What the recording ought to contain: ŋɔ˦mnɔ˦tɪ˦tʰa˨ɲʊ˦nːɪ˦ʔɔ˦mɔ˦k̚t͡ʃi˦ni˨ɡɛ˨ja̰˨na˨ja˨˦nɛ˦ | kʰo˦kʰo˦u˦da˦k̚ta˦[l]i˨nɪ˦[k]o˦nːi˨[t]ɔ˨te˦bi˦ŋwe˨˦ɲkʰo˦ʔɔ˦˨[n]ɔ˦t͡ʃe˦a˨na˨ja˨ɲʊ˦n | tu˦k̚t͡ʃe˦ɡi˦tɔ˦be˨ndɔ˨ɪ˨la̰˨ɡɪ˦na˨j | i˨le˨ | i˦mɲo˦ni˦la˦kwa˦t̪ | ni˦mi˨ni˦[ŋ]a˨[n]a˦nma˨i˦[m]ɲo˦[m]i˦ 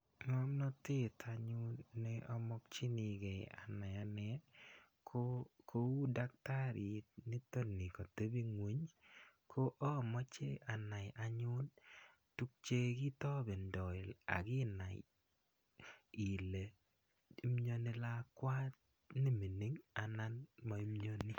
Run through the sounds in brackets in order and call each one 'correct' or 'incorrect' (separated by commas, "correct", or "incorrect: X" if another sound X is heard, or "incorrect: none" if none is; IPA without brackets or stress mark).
incorrect: ɾ, incorrect: t, incorrect: k, incorrect: m, correct, correct, correct, incorrect: n